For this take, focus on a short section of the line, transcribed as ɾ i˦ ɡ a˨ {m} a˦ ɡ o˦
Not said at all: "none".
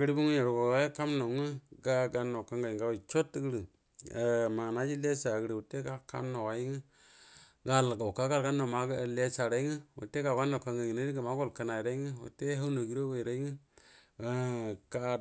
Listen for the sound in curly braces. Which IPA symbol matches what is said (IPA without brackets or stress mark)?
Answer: m